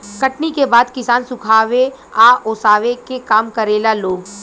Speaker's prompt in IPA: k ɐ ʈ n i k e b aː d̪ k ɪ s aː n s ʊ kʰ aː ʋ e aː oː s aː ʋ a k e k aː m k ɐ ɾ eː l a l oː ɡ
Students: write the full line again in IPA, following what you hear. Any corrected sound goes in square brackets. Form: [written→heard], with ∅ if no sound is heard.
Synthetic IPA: k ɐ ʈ n i k e b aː d̪ k ɪ s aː n s ʊ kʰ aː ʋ e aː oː s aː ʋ [a→e] k e k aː m k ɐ ɾ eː l a l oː ɡ

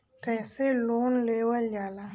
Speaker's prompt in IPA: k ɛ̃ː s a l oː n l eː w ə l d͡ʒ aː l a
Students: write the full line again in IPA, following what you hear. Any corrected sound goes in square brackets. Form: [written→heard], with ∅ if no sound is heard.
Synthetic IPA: k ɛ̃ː s [a→e] l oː n l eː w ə l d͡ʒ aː l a

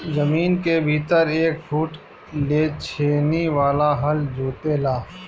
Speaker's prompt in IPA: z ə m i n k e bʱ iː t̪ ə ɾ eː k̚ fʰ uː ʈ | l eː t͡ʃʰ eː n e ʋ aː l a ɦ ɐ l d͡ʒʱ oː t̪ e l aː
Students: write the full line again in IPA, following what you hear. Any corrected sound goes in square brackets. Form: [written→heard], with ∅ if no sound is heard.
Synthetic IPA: z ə m [i→iː] n k e bʱ iː t̪ ə ɾ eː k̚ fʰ uː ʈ | l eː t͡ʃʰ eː n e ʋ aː l a ɦ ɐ l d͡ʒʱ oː t̪ e l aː

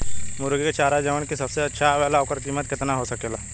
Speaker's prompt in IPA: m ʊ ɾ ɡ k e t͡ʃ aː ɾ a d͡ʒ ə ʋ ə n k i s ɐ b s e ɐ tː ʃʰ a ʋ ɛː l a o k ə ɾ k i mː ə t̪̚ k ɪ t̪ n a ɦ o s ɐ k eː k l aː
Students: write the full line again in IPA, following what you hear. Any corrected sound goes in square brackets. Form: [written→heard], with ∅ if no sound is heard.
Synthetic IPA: m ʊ ɾ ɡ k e t͡ʃ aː ɾ a d͡ʒ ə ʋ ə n k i s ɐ b s e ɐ tː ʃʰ a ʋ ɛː l a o k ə ɾ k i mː ə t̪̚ k ɪ t̪ n a ɦ o s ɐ k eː [k→∅] l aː

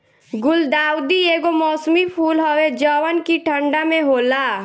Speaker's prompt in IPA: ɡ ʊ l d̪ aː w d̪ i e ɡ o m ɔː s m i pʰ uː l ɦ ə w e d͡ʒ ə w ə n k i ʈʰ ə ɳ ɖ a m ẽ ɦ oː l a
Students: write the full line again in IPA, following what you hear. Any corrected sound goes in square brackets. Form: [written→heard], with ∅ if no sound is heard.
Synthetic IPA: ɡ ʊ l d̪ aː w d̪ i e ɡ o m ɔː s m i pʰ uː l ɦ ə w e d͡ʒ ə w ə n k i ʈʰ ə ɳ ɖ a m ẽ ɦ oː l a

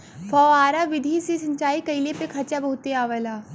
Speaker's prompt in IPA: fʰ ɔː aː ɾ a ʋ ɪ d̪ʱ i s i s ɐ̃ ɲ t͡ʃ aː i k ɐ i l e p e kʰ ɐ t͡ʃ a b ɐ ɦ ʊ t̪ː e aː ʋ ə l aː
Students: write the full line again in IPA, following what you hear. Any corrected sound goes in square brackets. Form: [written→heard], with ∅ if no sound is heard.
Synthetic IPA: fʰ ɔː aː ɾ a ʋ ɪ d̪ʱ i s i s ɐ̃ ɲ t͡ʃ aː i k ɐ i l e p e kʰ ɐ t͡ʃ a b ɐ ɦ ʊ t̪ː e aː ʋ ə l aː

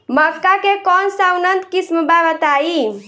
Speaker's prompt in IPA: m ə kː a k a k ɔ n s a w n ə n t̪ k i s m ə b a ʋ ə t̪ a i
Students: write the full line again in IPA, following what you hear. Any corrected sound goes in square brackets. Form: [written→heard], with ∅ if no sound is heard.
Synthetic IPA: m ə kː a k [a→e] k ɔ n s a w n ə n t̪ k i s m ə b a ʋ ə t̪ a i

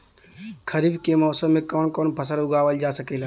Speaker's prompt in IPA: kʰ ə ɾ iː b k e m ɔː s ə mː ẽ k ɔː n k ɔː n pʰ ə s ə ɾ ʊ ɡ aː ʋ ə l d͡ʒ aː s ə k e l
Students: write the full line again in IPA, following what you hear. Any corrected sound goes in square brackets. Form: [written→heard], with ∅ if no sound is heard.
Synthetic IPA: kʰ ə ɾ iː b k e m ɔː s ə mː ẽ k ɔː n k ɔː n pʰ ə s ə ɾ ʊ ɡ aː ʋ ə l d͡ʒ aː s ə k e l

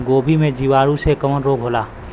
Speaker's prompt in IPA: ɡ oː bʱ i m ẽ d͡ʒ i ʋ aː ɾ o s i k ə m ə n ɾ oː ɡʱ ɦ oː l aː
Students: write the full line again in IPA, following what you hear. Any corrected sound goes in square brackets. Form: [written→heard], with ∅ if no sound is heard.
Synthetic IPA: ɡ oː bʱ i m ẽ d͡ʒ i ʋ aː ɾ [o→u] s [i→e] k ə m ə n ɾ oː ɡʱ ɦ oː l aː

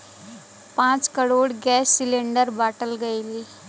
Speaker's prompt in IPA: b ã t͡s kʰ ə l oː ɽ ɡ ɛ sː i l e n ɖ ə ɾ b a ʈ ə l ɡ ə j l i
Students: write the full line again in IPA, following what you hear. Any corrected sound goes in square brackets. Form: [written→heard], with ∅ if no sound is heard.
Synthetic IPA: [b→p] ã t͡s [kʰ→k] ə [l→ɽ] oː ɽ ɡ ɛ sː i l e [n→ɳ] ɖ ə ɾ b a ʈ ə l ɡ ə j l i

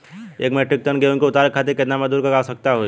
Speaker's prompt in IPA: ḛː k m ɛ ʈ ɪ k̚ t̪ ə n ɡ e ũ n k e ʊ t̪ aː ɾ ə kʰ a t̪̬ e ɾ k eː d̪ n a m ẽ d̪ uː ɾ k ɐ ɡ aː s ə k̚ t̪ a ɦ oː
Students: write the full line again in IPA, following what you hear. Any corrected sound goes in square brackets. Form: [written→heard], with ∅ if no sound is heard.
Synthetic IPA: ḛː k m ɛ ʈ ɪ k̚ t̪ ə n ɡ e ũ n k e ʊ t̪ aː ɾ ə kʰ a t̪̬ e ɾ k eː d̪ n a m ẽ d̪ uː ɾ k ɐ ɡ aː s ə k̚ t̪ a ɦ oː

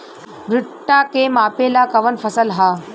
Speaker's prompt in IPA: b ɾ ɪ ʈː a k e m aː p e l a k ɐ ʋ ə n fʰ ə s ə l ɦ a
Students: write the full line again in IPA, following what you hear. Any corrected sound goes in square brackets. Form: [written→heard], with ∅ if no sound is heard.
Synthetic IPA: b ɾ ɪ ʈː a k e m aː p e l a k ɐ ʋ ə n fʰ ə s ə l ɦ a

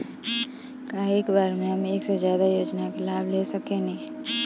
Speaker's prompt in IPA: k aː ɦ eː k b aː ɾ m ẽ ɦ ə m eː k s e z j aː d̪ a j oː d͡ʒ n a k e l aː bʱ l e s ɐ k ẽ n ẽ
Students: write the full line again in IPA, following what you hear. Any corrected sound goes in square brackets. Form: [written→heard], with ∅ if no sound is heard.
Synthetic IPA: k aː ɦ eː k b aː ɾ m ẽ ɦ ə m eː k s e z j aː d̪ a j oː d͡ʒ n a k e l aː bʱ l e s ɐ k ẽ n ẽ

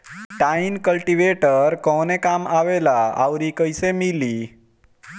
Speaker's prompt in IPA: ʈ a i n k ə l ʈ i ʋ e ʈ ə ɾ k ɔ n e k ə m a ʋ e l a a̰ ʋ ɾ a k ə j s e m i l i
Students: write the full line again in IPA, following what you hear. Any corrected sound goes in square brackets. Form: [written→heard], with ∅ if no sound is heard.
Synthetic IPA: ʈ a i n k ə l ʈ i ʋ e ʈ ə ɾ k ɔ n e k [ə→a] m a ʋ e l a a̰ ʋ ɾ [a→i] k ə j s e m i l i

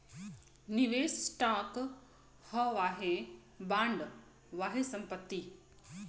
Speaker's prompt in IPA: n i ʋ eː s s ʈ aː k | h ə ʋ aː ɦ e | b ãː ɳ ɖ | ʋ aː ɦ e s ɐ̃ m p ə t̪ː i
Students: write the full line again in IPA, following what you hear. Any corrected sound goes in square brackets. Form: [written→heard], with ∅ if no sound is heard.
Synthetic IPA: n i ʋ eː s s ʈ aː k | h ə ʋ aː ɦ e | b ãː ɳ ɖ | ʋ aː ɦ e s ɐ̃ m p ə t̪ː i

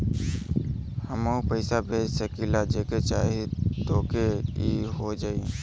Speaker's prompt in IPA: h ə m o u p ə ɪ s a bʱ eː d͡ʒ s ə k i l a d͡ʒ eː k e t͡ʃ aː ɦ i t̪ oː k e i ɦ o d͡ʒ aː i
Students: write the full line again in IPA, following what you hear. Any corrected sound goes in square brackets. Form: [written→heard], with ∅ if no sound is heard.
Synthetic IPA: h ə m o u p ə ɪ s a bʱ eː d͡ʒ s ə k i l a d͡ʒ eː k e t͡ʃ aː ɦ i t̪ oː k e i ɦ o d͡ʒ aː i

